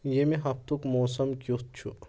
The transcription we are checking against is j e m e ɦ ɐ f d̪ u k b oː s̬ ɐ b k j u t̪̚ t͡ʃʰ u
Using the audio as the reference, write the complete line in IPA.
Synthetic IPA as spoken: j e m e ɦ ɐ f t̪ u k m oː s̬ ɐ m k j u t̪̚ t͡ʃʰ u